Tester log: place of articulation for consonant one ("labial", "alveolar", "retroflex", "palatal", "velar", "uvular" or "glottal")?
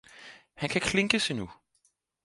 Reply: glottal